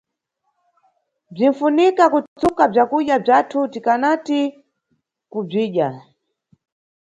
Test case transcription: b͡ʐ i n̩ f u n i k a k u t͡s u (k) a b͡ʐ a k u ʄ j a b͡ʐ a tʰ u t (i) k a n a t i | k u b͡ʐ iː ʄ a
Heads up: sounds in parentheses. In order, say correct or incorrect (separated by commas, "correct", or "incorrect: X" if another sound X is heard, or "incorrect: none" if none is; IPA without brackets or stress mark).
correct, correct